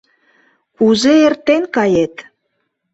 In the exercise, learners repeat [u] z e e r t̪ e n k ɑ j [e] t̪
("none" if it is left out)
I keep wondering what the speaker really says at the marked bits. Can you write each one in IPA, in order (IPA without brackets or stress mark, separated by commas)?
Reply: u, e